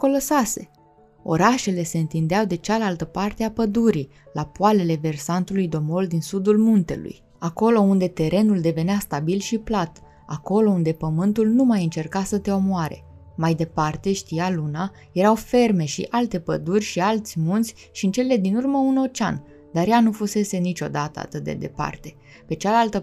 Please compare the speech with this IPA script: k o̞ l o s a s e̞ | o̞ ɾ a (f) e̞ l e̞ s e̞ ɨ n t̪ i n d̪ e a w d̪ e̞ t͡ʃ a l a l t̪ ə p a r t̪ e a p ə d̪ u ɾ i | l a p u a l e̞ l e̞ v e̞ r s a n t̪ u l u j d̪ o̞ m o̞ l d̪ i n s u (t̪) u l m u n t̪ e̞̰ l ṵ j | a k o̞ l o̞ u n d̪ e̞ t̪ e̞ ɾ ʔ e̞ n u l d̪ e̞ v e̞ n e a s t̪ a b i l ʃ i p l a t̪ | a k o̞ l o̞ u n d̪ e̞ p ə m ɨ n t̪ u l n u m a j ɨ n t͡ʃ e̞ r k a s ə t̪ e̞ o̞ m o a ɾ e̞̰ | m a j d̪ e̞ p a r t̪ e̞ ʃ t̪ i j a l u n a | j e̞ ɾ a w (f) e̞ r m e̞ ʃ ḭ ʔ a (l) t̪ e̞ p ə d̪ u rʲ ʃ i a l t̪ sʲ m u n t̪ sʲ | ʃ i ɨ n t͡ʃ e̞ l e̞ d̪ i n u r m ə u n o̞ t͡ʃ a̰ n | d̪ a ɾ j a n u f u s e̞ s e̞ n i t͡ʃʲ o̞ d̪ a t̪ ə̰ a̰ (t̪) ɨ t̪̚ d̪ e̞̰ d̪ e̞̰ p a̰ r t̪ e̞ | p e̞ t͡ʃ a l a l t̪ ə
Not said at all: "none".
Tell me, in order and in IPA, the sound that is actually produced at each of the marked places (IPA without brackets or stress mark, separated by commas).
ʃ, d̪, f, l, t̪